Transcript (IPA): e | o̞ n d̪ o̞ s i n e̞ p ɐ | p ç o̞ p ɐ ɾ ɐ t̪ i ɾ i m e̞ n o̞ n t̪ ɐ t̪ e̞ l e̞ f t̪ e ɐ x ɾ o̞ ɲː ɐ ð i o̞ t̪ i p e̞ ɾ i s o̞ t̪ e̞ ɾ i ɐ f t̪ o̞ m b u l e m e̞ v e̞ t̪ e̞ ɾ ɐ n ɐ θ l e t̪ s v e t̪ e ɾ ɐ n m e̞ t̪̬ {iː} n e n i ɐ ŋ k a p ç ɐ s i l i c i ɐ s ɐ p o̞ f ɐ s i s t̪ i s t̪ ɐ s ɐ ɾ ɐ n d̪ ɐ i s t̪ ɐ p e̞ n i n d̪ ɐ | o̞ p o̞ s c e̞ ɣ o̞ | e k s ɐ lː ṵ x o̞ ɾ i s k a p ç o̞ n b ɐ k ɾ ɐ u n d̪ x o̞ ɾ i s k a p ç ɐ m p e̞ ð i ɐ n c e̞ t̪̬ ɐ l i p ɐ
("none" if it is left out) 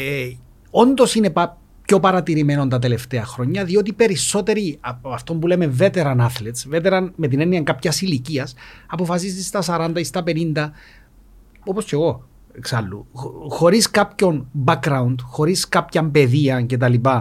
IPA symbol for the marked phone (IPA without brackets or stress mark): i